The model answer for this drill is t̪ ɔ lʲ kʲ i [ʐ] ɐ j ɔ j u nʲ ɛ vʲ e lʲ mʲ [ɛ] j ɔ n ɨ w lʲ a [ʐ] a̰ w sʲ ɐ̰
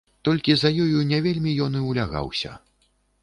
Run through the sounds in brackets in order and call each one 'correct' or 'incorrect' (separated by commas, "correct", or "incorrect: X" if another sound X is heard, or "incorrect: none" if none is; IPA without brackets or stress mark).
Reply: incorrect: z, incorrect: i, incorrect: ɣ